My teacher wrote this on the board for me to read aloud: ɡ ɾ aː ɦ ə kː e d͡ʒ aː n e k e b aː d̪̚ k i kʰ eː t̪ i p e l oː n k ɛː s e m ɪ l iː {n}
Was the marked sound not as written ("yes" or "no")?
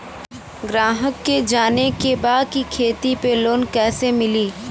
yes